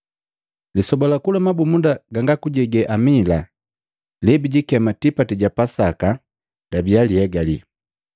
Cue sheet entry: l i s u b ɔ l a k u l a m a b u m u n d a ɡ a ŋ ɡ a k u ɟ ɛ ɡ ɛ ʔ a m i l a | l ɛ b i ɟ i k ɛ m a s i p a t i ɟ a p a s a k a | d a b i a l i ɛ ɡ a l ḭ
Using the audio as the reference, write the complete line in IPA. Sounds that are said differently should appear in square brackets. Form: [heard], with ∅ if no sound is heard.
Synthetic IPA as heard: l i s [ɔ] b ɔ l a k u l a m a b u m u n d a ɡ a ŋ ɡ a k u ɟ ɛ ɡ ɛ ʔ a m i l a | l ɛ b i ɟ i k ɛ m a [t] i p a t i ɟ a p a s a k a | d a b i a l i ɛ ɡ a l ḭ